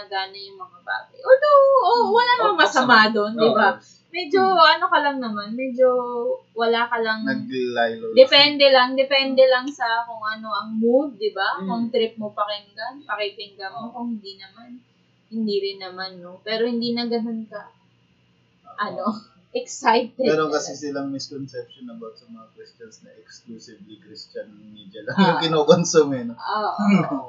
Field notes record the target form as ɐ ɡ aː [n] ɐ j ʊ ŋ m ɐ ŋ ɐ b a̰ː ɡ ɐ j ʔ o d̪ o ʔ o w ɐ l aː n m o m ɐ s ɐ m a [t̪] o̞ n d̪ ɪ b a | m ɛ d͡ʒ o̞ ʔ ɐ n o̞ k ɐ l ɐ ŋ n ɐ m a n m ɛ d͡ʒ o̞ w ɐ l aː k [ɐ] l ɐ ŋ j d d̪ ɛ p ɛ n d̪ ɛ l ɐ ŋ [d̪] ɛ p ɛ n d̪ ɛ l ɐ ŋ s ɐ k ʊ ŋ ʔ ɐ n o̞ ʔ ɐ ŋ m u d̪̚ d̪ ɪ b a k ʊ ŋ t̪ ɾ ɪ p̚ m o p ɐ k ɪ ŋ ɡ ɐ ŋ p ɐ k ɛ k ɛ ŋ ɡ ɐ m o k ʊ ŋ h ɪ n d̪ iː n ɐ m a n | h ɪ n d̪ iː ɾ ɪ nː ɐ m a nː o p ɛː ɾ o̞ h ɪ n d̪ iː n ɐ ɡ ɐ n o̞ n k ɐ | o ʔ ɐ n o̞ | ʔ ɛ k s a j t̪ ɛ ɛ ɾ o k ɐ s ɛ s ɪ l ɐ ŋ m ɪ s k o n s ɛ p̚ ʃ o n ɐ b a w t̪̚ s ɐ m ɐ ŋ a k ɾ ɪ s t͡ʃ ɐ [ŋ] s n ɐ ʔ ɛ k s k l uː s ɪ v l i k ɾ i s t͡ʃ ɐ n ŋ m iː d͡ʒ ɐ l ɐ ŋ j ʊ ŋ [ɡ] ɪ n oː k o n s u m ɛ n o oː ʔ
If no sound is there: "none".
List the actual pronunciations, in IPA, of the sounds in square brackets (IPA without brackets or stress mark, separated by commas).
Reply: n, d̪, ɐ, d̪, n, k